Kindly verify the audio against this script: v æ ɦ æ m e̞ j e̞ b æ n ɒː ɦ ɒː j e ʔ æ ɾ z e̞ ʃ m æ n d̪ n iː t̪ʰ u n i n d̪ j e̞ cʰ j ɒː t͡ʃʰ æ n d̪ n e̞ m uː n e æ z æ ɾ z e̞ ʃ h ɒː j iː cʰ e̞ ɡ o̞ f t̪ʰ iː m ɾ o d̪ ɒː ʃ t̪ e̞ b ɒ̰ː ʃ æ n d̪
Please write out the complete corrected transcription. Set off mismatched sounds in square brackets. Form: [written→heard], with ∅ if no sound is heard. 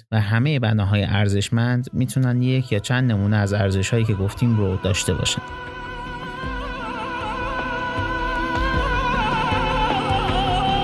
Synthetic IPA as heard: v æ ɦ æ m e̞ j e̞ b æ n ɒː ɦ ɒː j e ʔ æ ɾ z e̞ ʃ m æ n d̪ [n→m] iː t̪ʰ u n [i→æ] n d̪ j e̞ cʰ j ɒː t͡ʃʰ æ n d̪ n e̞ m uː n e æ z æ ɾ z e̞ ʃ h ɒː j iː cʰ e̞ ɡ o̞ f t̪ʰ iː m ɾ o d̪ ɒː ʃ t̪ e̞ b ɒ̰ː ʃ æ n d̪